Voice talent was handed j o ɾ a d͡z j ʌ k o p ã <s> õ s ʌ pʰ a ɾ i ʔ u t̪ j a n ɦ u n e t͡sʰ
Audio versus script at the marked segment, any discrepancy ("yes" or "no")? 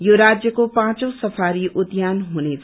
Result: yes